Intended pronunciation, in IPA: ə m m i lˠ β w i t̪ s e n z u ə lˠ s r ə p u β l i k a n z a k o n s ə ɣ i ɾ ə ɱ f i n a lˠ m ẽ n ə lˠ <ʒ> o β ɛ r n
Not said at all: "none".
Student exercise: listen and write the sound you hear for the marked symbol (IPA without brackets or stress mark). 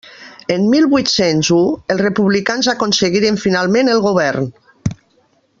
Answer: ɣ